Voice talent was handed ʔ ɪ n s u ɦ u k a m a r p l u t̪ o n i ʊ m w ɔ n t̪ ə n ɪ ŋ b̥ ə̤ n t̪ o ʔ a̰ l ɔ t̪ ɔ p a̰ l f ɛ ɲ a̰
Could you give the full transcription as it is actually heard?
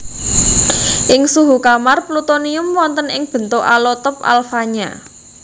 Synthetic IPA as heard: ʔ ɪ ŋ s u ɦ u k a m a r p l u t̪ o n i ʊ m w ɔ n t̪ ə n ɪ ŋ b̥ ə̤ n t̪ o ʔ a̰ l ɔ t̪ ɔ p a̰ l f a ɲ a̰